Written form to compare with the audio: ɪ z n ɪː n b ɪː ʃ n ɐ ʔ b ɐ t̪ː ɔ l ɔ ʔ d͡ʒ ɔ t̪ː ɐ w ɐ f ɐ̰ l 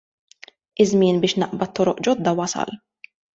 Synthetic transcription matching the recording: ɪ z m ɪː n b ɪː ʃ n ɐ ʔ b ɐ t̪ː ɔ ɾ ɔ ʔ d͡ʒ ɔ d̪ː ɐ w ɐ s ɐ̰ l